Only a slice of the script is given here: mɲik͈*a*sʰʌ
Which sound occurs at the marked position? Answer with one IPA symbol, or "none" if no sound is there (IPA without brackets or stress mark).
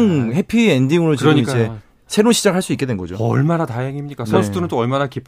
a